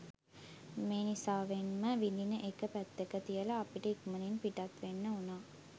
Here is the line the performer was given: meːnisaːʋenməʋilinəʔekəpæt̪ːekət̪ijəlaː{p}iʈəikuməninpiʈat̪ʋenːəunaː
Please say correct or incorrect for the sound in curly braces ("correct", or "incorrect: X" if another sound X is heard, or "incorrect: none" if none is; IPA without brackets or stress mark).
correct